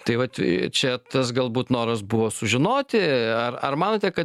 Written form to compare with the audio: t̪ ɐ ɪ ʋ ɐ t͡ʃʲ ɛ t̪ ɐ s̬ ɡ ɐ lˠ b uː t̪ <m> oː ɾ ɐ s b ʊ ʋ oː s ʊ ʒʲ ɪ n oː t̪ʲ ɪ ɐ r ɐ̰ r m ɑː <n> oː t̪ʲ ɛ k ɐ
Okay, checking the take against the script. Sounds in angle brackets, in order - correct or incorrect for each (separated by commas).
incorrect, correct